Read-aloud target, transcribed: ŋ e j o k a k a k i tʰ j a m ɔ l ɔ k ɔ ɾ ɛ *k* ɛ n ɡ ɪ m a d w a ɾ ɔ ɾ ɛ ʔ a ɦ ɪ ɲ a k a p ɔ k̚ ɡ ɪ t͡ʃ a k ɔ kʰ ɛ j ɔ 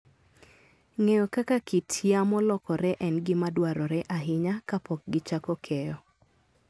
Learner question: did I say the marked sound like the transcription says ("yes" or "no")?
no